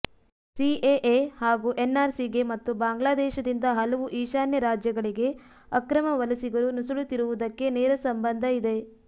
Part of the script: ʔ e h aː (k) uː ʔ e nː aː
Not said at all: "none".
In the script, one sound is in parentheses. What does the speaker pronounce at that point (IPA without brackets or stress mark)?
ɡ